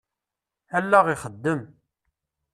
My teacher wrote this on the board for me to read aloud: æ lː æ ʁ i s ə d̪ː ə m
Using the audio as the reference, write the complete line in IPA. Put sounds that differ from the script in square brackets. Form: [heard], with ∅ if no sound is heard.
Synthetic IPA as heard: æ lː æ ʁ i [χ] ə d̪ː ə m